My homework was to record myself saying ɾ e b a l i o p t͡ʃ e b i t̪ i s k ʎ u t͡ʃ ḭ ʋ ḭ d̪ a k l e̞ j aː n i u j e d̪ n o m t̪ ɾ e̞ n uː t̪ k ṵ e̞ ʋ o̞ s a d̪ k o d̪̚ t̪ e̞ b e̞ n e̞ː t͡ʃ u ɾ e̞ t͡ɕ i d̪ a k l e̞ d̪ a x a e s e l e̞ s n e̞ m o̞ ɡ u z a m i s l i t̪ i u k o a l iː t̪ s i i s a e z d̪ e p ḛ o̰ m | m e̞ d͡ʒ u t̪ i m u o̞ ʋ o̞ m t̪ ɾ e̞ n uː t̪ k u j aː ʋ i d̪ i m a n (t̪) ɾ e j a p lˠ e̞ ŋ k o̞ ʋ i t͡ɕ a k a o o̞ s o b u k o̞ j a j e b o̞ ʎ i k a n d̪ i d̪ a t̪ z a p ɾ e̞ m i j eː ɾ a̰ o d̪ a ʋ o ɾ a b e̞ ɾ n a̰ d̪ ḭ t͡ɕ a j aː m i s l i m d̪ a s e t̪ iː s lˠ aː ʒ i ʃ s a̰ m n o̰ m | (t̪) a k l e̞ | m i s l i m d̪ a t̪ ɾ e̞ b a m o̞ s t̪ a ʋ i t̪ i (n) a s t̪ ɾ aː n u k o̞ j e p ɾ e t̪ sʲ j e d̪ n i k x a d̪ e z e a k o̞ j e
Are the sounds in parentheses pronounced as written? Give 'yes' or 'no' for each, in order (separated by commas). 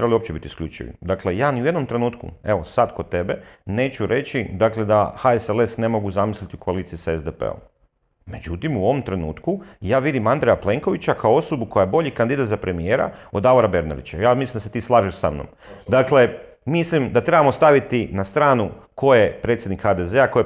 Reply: no, no, yes